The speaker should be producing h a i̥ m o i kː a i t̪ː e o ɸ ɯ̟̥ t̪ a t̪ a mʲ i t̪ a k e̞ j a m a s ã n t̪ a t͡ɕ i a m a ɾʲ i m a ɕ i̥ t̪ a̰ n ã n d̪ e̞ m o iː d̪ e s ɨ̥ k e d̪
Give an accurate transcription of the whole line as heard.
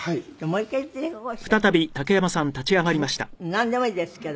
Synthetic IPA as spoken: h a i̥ m o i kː a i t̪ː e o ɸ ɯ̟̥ t̪ a t̪ a bʲ i t̪ a k e̞ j a m a s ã n t̪ a t͡ɕ i a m a ɾʲ i m a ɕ i̥ t̪ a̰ n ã n d̪ e̞ m o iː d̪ e s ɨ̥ k e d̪